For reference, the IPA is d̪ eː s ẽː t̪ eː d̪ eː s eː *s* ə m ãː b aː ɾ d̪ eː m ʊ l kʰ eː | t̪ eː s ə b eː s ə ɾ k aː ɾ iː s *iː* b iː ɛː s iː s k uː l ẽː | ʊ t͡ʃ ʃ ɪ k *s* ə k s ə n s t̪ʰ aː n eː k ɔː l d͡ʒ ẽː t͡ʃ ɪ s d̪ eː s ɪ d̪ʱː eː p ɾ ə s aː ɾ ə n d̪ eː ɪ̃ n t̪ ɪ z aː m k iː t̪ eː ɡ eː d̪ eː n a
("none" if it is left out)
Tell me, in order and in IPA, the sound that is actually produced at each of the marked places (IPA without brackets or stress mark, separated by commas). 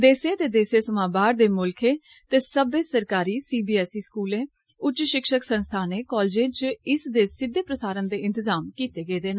s, iː, ʃ